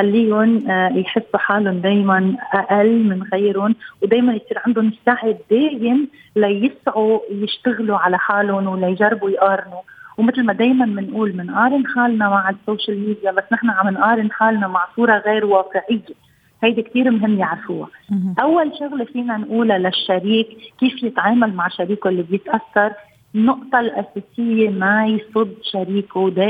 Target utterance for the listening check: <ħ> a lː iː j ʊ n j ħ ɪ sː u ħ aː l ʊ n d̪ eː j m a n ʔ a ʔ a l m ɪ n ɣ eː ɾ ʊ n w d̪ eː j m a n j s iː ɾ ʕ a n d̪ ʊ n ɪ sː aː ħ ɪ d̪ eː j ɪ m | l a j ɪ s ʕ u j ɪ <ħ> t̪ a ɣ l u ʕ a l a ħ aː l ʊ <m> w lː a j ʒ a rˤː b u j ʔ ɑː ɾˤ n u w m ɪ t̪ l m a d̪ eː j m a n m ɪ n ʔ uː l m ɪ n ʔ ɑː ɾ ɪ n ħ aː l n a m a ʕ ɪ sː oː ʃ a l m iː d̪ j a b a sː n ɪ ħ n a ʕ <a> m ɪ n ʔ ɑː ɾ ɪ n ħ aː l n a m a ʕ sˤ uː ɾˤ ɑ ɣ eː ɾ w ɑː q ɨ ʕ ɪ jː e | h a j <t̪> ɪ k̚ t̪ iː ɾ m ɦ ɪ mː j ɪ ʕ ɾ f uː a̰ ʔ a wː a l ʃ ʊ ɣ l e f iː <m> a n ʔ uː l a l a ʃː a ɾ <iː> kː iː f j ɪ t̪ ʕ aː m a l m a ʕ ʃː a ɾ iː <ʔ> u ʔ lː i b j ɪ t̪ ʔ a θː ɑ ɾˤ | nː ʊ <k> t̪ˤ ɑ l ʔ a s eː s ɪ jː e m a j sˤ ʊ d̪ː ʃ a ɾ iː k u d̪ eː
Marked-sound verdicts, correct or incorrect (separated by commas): incorrect, incorrect, incorrect, correct, incorrect, incorrect, correct, incorrect, incorrect